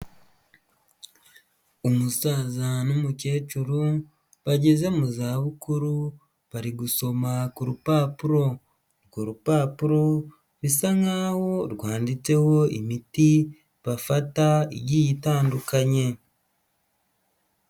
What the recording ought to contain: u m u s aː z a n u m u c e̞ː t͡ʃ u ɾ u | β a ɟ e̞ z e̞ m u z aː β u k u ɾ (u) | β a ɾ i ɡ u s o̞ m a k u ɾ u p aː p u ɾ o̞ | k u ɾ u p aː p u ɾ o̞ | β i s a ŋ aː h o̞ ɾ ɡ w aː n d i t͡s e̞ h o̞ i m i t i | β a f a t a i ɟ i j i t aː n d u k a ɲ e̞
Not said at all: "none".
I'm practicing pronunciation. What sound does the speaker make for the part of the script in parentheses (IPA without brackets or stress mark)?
u